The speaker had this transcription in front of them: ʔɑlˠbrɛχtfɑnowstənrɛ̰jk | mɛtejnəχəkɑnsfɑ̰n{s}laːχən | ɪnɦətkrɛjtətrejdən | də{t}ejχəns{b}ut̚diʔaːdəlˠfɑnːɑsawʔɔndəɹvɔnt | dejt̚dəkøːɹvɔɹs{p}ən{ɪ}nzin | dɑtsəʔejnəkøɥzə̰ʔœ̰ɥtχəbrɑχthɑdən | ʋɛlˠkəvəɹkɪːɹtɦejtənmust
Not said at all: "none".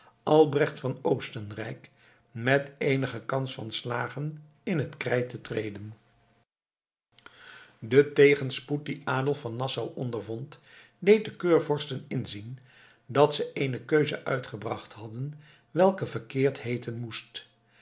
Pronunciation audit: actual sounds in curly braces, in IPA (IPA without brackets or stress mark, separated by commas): s, t, p, t, ɪ